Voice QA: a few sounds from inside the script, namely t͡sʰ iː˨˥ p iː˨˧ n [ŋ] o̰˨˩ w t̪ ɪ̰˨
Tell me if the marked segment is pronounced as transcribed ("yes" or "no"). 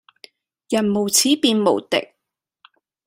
no